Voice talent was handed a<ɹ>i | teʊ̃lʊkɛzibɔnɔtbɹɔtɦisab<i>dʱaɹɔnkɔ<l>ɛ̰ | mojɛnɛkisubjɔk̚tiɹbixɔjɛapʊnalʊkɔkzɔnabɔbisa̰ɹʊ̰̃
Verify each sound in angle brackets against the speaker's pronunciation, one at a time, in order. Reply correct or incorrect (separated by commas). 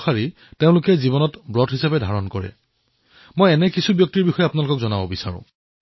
correct, incorrect, incorrect